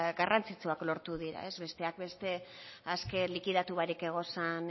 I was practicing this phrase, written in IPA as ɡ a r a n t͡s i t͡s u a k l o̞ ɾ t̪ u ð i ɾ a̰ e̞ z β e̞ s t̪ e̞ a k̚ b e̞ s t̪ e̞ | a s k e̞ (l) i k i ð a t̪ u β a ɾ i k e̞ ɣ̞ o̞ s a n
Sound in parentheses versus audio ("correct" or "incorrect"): correct